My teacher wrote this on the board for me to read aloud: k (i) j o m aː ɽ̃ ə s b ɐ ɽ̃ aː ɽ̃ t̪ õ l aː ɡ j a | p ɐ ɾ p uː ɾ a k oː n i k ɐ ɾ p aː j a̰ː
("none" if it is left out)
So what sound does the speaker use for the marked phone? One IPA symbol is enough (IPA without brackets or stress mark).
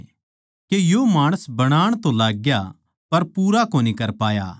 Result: e